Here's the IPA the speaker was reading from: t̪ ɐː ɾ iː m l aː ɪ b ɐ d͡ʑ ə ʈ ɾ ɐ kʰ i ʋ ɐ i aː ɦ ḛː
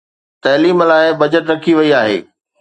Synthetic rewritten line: t̪ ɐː l iː m l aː ɪ b ɐ d͡ʑ ə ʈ ɾ ɐ kʰ i ʋ ɐ i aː ɦ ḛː